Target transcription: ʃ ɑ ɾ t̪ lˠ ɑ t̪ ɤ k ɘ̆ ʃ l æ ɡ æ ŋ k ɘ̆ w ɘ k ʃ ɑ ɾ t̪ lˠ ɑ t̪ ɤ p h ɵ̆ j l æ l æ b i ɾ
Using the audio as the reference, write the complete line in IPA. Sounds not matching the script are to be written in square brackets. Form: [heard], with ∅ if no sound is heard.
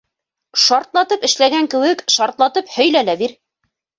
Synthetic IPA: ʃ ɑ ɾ t̪ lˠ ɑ t̪ ɤ [p] ɘ̆ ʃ l æ ɡ æ ŋ k ɘ̆ w ɘ k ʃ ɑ ɾ t̪ lˠ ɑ t̪ ɤ p h ɵ̆ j l æ l æ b i ɾ